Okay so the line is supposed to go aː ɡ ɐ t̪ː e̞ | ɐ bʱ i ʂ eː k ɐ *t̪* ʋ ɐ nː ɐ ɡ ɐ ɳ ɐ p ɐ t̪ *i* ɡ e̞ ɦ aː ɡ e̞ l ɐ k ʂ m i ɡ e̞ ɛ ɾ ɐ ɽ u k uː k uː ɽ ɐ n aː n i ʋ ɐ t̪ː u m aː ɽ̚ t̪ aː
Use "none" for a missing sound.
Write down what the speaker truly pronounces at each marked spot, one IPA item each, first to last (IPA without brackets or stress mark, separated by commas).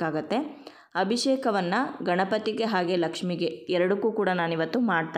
none, i